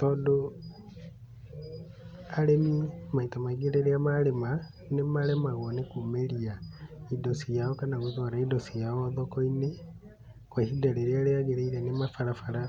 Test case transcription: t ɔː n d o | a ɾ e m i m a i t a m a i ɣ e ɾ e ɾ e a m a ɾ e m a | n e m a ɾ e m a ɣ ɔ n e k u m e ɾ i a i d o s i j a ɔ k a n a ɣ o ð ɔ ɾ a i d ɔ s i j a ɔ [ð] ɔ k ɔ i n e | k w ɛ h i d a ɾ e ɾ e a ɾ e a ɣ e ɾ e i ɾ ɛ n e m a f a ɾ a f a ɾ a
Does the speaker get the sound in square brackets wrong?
no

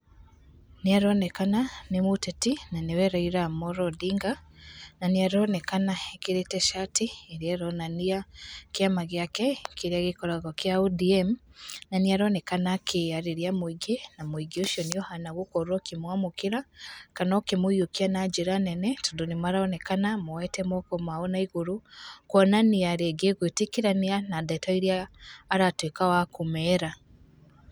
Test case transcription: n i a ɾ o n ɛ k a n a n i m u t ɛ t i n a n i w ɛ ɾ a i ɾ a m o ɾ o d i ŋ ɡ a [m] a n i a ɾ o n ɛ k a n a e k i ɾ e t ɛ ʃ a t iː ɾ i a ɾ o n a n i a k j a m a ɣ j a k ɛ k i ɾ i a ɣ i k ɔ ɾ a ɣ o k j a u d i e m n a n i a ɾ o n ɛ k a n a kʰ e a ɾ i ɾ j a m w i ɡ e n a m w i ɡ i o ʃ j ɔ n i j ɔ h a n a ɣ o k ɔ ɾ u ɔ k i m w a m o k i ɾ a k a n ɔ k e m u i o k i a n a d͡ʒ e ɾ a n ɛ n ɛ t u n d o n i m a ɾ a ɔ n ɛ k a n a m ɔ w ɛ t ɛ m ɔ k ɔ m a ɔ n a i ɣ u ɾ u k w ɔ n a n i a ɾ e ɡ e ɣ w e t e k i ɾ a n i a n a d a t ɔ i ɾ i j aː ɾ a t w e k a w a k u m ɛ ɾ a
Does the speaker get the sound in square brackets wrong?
yes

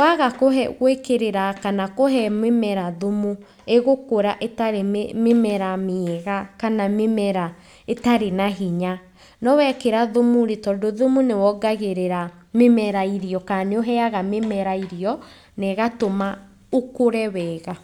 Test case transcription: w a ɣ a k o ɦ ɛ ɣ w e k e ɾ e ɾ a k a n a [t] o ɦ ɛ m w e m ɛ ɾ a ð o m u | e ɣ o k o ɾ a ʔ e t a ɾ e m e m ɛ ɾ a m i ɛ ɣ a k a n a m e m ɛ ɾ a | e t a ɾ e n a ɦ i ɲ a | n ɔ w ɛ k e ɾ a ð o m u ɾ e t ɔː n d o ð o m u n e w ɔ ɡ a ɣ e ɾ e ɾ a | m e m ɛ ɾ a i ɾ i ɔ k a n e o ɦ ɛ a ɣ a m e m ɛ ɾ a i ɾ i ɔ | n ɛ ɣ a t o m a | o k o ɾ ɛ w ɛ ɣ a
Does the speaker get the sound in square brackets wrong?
yes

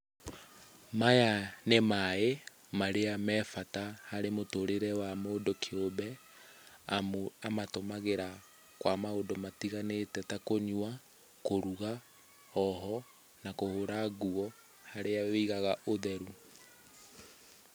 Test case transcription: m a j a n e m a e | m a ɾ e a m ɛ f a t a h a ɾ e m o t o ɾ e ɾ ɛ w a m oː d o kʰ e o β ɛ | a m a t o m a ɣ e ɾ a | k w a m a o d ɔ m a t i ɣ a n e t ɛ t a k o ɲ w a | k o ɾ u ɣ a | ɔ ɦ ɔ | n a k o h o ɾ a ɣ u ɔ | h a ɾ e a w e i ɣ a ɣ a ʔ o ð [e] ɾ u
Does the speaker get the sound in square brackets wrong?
yes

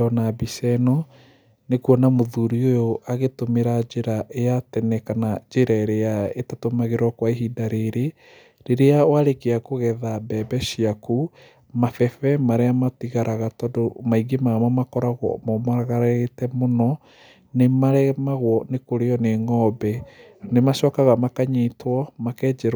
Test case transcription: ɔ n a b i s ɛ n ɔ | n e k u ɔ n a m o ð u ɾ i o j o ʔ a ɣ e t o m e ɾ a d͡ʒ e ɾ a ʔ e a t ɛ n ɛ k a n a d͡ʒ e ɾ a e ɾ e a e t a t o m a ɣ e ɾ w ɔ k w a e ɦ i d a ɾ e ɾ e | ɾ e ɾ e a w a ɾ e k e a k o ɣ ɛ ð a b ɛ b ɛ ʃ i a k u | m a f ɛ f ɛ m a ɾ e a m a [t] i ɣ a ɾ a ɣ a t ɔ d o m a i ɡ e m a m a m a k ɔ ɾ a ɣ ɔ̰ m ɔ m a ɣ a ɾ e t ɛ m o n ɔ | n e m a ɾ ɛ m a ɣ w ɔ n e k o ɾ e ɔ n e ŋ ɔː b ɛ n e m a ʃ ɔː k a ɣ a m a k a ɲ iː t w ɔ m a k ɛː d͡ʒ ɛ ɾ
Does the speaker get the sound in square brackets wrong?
no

